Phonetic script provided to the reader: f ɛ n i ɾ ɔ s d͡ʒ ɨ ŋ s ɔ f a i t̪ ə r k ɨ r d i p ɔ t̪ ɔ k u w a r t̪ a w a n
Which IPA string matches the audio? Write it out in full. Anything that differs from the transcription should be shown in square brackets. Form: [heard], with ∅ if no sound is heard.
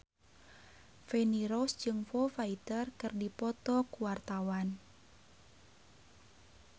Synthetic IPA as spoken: f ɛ n i ɾ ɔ s d͡ʒ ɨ ŋ [f] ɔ f a i t̪ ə r k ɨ r d i p ɔ t̪ ɔ k u w a r t̪ a w a n

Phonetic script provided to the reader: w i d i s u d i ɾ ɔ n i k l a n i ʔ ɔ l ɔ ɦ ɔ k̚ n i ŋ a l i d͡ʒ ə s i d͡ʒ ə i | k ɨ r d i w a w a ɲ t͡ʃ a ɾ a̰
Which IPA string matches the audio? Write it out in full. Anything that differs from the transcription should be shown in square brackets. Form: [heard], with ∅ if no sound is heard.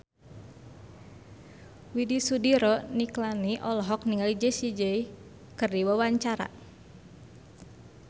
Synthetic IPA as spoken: w i d i s u d i ɾ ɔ n i k l a n i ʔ ɔ l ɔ ɦ ɔ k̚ n i ŋ a l i d͡ʒ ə s i d͡ʒ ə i | k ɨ r d i w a w a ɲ t͡ʃ a ɾ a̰

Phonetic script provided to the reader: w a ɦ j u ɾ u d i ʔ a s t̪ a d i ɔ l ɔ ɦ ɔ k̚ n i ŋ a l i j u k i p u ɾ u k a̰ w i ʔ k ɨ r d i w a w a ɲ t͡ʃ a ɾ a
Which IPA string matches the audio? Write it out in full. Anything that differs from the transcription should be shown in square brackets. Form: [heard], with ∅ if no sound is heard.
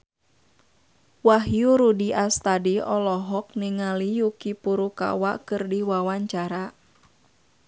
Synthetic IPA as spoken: w a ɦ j u ɾ u d i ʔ a s t̪ a d i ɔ l ɔ ɦ ɔ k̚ n i ŋ a l i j u k i p u ɾ u k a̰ w [a] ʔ k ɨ r d i w a w a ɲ t͡ʃ a ɾ a

